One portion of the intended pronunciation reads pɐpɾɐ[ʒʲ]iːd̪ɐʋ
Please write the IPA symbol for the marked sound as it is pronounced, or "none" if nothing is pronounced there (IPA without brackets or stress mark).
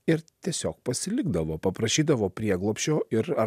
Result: ʃʲ